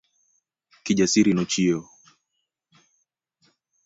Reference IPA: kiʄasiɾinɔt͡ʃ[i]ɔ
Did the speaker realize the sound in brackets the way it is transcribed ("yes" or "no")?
yes